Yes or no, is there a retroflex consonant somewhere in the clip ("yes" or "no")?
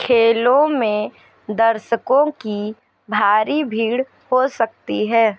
yes